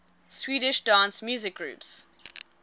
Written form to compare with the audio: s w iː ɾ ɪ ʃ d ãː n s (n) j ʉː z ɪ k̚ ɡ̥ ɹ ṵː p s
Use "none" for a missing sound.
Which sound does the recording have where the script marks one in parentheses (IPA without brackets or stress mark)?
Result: m